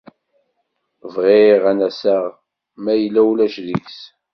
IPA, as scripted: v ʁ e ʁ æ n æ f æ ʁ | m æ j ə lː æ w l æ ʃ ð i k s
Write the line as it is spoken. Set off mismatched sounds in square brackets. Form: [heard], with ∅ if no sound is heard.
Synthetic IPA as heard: v ʁ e ʁ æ n æ [s] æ ʁ | m æ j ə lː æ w l æ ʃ ð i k s

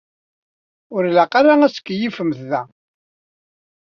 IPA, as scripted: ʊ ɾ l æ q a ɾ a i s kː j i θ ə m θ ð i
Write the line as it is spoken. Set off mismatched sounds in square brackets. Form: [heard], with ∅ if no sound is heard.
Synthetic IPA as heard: ʊ ɾ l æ q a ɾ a [æ] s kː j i [f] ə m θ ð [æ]

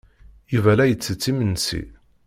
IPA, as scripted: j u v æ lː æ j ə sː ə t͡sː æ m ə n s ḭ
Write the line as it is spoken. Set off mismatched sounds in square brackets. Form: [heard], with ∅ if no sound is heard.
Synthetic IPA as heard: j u v æ [l] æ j ə [t͡sː] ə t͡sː [i] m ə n s ḭ

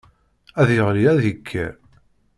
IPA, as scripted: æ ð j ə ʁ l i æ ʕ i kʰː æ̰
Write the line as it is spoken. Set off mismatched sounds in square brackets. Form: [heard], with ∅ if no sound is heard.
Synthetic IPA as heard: æ ð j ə ʁ l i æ [ð] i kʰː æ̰

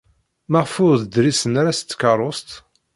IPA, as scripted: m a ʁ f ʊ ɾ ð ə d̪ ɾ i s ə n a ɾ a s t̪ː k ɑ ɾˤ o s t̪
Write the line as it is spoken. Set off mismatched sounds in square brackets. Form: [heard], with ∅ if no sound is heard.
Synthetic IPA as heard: m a ʁ f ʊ ɾ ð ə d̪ ɾ i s ə n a ɾ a s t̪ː k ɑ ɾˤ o s t̪

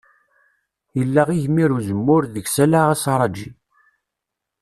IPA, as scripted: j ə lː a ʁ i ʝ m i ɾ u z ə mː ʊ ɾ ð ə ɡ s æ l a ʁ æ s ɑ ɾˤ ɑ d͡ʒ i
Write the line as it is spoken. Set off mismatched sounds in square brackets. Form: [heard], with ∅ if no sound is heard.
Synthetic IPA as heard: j ə lː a ʁ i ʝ m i ɾ u z ə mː ʊ ɾ ð ə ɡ s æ l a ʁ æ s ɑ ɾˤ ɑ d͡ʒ i

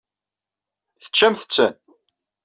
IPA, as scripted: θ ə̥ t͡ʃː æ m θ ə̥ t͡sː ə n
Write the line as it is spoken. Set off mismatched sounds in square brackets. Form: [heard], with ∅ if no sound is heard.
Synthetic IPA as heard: θ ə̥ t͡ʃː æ m θ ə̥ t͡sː ə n

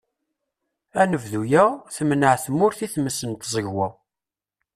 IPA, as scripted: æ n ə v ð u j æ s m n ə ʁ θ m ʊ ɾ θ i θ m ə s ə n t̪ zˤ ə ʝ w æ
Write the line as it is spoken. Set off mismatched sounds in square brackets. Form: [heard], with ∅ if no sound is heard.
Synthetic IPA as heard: æ n ə v ð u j æ [θ] m n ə [ʕ] θ m ʊ ɾ θ i θ m ə s ə n t̪ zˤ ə ʝ w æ

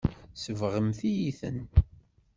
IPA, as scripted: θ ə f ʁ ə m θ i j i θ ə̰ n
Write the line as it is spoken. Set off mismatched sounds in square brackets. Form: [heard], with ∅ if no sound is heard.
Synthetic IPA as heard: [s] ə [v] ʁ ə m θ i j i θ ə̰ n

